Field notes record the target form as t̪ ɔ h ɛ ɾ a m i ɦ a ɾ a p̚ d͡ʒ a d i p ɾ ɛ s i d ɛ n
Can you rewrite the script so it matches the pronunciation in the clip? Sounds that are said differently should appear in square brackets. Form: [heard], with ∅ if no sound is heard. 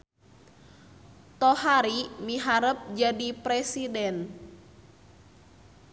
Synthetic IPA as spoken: t̪ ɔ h [a] ɾ [i] m i ɦ a ɾ [ə] p̚ d͡ʒ a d i p ɾ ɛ s i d ɛ n